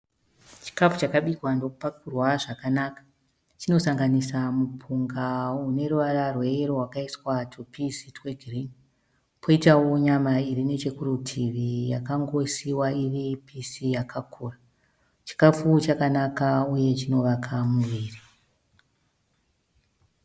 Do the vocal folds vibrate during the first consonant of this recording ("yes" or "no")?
no